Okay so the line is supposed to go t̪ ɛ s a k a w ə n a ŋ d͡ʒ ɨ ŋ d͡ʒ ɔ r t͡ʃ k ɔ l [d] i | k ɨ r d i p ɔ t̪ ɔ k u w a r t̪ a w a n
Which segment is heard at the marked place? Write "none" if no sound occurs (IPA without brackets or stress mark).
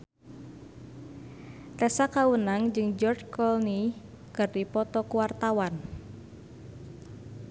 n